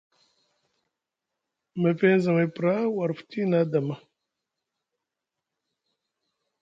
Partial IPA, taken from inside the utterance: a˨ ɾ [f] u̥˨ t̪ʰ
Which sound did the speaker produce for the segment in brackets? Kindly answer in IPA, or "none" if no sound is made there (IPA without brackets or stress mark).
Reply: f